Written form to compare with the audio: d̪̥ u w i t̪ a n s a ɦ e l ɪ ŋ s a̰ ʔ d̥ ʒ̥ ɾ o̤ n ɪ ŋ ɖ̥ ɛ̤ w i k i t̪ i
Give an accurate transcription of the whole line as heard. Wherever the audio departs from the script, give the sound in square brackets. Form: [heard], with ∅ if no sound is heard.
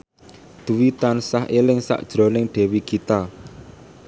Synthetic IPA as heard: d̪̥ u w i t̪ a n s a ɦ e l ɪ ŋ s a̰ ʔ d̥ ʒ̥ ɾ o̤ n ɪ ŋ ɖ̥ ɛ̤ w i k i t̪ [a]